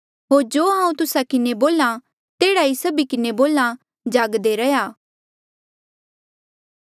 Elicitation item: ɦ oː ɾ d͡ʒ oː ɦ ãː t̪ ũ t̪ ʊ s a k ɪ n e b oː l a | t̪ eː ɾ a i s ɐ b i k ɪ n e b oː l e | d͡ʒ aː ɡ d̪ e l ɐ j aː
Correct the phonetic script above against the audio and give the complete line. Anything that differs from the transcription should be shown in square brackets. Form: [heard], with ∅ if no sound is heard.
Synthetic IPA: ɦ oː ɾ d͡ʒ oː ɦ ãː [∅] ũ t̪ ʊ s a k ɪ n e b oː l a | t̪ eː [ɽ] a i s ɐ b i k ɪ n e b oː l [a] | d͡ʒ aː ɡ d̪ e [ɾ] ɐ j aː